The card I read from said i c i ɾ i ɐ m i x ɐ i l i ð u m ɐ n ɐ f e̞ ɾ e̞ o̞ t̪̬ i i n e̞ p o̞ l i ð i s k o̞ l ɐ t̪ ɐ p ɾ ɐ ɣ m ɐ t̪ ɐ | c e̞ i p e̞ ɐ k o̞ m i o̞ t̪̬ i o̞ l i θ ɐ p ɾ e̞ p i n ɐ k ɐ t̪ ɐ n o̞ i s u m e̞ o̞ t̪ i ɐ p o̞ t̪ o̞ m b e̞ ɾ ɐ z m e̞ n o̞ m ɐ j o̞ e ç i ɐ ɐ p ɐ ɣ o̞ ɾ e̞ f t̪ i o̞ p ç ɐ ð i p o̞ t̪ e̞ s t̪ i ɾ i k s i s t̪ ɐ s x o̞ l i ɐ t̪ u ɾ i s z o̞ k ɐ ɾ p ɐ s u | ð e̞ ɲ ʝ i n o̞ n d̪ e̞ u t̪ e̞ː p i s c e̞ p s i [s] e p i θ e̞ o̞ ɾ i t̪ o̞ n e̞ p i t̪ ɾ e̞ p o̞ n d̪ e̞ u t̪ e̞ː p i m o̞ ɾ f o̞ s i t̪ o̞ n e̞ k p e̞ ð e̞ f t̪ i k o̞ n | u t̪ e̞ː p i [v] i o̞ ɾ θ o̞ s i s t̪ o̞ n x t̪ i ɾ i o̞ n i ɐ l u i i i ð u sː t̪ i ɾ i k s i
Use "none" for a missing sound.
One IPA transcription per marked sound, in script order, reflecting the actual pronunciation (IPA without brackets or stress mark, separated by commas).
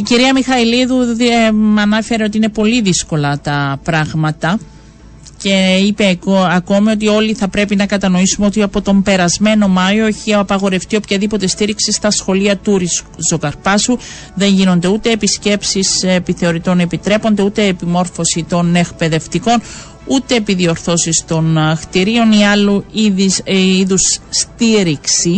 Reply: s, ð